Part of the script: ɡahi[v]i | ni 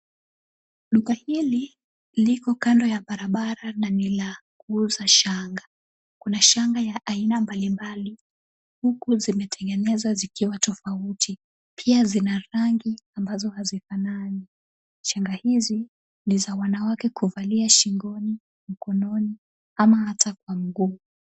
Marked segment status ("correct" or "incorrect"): incorrect